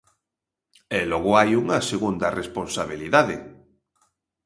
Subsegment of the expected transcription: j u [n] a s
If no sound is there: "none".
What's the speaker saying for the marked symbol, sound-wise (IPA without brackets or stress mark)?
ŋ